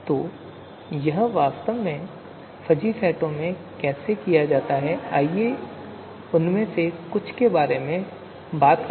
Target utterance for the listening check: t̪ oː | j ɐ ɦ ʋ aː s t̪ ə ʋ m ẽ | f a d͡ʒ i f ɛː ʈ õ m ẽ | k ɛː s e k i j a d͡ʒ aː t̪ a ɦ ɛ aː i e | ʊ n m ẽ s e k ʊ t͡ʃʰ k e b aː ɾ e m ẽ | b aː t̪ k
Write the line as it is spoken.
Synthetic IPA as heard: t̪ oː | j ɐ ɦ ʋ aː s t̪ ə ʋ m ẽ | f ɐ d͡ʒ i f ɛː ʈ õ m ẽ | k ɛː s e k i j a d͡ʒ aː t̪ a ɦ ɛ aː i e | ʊ n m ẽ s e k ʊ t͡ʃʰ k e b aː ɾ e m ẽ | b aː t̪ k

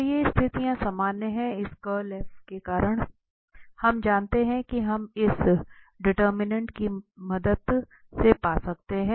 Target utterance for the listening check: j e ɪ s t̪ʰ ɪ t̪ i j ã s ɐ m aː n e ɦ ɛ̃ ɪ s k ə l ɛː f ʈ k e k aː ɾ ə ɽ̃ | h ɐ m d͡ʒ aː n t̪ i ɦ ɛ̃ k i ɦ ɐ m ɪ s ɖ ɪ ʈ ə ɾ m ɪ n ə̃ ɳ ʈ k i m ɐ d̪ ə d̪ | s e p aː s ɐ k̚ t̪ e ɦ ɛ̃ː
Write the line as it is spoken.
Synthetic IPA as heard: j e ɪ s t̪ʰ ɪ t̪ i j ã s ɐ m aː n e ɦ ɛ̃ ɪ s k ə l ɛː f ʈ k e k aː ɾ ə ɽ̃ | h ɐ m d͡ʒ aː n t̪ e ɦ ɛ̃ k i ɦ ɐ m ɪ s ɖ ɪ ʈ ə ɾ m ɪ n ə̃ ɳ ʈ k i m ɐ d̪ ə d̪ | s e p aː s ɐ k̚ t̪ e ɦ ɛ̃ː

